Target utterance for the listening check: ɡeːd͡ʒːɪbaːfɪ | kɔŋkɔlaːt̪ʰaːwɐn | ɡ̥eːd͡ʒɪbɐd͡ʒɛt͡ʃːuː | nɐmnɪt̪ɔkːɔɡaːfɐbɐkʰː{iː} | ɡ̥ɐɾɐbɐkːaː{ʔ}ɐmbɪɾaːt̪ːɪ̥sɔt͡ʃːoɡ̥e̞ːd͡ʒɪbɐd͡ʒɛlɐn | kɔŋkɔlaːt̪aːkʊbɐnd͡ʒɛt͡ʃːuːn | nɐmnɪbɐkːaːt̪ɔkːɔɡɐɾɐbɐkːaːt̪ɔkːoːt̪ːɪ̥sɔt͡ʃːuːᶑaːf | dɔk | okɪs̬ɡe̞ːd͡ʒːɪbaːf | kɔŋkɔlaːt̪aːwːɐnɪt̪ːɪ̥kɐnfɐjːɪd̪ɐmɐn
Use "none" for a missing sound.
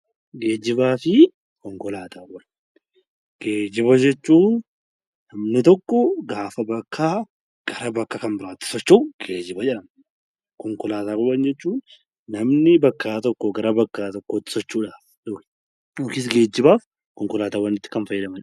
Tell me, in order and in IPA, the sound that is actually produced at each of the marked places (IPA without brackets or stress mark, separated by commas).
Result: aː, k